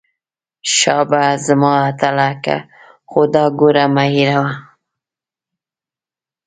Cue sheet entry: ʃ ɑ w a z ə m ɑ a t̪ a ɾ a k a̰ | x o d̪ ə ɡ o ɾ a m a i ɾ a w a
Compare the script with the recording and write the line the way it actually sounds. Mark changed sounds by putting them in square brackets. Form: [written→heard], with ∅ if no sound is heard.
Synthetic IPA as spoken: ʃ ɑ [w→b] a z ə m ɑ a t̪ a [ɾ→l] a k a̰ | x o d̪ [ə→ɑ] ɡ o ɾ a m a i ɾ a w a